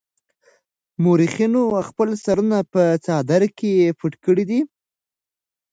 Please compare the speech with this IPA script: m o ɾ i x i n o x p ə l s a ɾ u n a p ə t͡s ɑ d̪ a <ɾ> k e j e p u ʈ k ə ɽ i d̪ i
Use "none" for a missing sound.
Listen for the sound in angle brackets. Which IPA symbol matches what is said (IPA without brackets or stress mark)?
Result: ɾ